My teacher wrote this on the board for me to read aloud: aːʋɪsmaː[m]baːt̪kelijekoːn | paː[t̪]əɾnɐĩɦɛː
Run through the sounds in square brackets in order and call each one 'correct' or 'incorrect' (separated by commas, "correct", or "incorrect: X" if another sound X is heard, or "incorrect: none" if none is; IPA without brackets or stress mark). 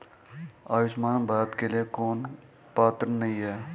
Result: incorrect: n, correct